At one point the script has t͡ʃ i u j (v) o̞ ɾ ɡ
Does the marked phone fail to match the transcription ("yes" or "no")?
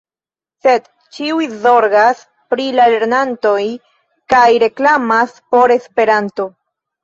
yes